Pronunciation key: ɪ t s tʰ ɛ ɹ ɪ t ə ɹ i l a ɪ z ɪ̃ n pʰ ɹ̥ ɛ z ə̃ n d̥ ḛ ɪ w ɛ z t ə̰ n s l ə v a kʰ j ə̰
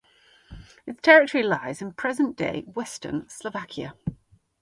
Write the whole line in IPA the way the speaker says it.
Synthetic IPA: ɪ t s tʰ ɛ ɹ ɪ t ə ɹ i l a ɪ z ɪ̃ n pʰ ɹ̥ ɛ z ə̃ n d̥ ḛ ɪ w ɛ s t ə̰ n s l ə v a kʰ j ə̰